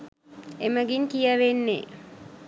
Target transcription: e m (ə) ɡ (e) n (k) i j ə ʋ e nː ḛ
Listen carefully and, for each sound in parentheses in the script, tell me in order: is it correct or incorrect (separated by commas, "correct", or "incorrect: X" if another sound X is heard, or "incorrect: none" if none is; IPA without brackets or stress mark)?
correct, incorrect: i, correct